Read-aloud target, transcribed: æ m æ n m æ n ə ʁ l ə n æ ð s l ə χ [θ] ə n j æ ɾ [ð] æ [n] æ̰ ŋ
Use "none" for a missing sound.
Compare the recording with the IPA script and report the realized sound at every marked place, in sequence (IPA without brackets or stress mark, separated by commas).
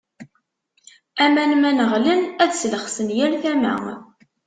s, θ, m